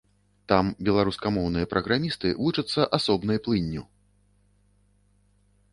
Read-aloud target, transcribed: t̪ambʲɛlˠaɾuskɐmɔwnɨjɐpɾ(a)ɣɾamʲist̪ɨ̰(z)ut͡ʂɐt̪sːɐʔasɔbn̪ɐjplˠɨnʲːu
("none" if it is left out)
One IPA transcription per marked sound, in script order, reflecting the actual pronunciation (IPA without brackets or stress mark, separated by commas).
ɐ, v